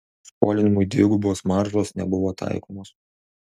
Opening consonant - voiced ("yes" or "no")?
no